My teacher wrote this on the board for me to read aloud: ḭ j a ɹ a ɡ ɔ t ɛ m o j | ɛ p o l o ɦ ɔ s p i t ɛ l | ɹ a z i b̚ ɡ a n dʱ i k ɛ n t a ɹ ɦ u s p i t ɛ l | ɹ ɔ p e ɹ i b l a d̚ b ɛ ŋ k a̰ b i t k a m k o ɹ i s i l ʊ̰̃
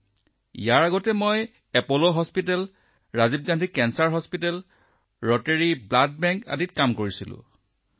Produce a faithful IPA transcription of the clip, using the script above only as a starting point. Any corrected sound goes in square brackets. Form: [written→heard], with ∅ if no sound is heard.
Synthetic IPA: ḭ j a ɹ a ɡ ɔ t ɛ m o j | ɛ p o l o ɦ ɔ s p i t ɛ l | ɹ a z i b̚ ɡ a n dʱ i k ɛ n [t→s] a ɹ ɦ [u→ɔ] s p i t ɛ l | ɹ ɔ [p→t] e ɹ i b l a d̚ b ɛ ŋ k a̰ [b→d] i t k a m k o ɹ i s i l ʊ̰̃